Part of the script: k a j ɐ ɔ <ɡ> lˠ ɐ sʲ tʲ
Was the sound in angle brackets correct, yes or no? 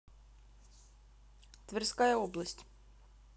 no